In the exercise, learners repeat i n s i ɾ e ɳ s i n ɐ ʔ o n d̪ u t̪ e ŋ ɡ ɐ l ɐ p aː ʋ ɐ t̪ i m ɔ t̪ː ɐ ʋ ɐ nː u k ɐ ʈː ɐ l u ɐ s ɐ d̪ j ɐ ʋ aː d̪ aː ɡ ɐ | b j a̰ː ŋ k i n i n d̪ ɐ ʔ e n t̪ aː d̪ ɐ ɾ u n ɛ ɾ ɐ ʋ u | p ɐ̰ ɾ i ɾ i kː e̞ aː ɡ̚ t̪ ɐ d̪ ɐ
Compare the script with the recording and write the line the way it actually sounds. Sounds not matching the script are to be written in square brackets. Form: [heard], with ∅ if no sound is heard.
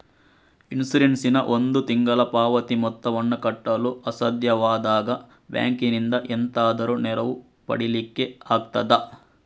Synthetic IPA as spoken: i n s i ɾ e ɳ s i n ɐ ʔ o n d̪ u t̪ [i] ŋ ɡ ɐ l ɐ p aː ʋ ɐ t̪ i m ɔ t̪ː ɐ ʋ ɐ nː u k ɐ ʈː ɐ l u ɐ s ɐ d̪ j ɐ ʋ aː d̪ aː ɡ ɐ | b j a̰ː ŋ k i n i n d̪ ɐ ʔ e n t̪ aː d̪ ɐ ɾ u n ɛ ɾ ɐ ʋ u | p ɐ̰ [ɽ] i [l] i kː e̞ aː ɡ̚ t̪ ɐ d̪ ɐ